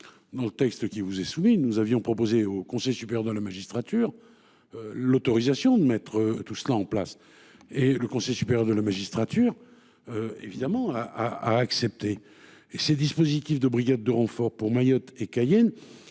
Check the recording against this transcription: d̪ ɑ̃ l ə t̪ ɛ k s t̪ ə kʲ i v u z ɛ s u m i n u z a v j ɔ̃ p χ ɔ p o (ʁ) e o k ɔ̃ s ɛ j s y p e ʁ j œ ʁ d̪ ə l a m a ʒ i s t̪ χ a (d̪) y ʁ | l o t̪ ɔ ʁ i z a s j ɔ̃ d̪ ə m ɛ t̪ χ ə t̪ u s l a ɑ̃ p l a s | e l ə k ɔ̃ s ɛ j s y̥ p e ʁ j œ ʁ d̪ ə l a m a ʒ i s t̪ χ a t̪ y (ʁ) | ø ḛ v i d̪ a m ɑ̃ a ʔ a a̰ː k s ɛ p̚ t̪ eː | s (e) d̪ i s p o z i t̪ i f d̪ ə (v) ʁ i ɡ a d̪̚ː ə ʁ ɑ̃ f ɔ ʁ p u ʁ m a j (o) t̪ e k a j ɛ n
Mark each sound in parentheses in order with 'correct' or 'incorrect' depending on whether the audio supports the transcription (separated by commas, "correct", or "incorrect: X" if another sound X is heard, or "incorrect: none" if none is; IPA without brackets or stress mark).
incorrect: z, incorrect: t̪, correct, correct, incorrect: b, incorrect: ɔ